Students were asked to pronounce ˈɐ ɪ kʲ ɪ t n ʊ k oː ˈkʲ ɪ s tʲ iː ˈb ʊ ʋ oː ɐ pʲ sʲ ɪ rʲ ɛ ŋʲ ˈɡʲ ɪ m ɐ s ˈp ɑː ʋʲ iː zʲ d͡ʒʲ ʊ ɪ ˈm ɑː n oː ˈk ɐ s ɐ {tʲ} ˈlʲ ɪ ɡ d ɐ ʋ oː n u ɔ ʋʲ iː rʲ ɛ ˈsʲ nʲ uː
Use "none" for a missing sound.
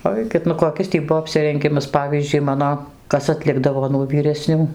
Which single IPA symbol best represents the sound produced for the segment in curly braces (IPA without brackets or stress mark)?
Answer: tʲ